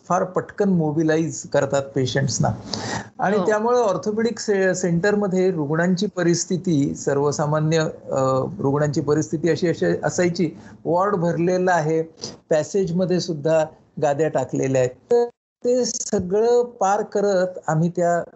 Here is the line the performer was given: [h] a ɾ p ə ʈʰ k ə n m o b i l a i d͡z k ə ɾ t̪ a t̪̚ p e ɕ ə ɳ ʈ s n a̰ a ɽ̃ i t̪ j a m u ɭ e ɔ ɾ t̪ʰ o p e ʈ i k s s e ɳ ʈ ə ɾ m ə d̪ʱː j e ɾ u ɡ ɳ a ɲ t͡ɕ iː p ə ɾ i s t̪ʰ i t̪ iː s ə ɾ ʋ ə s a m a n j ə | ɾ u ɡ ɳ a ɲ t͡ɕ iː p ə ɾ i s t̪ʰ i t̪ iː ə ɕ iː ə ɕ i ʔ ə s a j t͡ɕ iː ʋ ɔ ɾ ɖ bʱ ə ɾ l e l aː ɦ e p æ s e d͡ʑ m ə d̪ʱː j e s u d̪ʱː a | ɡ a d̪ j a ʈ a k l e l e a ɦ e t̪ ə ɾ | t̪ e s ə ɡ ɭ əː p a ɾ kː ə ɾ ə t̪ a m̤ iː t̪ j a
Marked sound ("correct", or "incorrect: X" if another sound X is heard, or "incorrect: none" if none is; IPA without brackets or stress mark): incorrect: f